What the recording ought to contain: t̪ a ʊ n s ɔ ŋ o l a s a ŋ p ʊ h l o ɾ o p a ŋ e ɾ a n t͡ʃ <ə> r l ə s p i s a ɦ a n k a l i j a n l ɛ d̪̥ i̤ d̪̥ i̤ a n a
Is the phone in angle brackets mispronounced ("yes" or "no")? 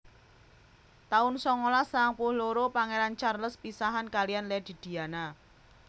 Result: yes